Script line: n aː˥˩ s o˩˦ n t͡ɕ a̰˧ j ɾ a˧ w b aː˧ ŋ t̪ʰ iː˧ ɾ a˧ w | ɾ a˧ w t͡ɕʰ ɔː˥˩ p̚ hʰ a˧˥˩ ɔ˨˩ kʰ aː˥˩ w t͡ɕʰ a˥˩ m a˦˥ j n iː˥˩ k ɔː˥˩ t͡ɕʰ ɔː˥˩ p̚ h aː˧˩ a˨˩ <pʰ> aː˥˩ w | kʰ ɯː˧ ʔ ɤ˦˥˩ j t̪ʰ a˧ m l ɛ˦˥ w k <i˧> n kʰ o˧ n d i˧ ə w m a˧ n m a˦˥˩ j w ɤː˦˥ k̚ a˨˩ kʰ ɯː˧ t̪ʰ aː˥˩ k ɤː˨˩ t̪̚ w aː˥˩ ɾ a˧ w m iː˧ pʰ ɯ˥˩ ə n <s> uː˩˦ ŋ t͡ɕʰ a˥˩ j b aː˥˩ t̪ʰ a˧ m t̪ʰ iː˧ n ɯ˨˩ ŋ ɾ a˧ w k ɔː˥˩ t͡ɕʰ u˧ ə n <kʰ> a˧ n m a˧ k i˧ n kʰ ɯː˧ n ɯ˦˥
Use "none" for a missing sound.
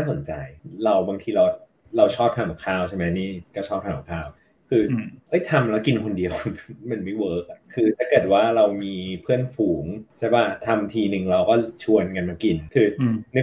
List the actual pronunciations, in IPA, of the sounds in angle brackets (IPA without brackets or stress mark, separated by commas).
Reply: kʰ, i˧, f, k